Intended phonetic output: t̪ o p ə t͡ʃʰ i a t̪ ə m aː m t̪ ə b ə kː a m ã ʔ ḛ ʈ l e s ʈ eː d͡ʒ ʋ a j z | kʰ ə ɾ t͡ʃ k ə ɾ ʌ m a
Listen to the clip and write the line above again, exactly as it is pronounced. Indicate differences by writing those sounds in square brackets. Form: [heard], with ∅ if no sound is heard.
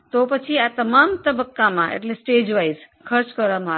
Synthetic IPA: t̪ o p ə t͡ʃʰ i a t̪ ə m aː m t̪ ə b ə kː a m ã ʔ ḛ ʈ l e s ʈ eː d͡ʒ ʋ a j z | kʰ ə ɾ t͡ʃ k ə ɾ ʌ m a